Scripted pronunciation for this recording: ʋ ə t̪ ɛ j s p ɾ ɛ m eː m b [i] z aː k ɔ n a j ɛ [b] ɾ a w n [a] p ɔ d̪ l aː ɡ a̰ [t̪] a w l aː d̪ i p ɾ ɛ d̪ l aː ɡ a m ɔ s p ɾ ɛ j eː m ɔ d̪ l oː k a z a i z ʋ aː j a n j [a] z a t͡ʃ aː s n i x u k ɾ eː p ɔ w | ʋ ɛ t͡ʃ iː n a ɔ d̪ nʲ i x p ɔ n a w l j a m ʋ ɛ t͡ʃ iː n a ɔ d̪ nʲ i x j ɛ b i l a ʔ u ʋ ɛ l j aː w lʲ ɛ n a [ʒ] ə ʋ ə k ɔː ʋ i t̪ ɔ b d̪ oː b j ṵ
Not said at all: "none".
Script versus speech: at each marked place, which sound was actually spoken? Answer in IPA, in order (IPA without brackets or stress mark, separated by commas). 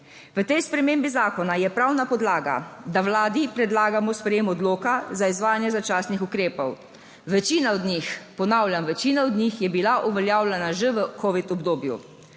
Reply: i, p, a, d̪, ɛ, ʒ